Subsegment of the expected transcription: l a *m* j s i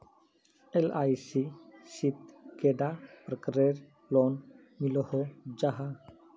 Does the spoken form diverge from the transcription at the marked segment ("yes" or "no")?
yes